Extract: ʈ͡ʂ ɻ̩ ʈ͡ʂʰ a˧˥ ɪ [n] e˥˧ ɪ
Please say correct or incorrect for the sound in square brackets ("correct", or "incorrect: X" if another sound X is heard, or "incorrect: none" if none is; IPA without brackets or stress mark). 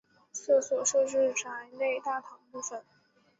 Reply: correct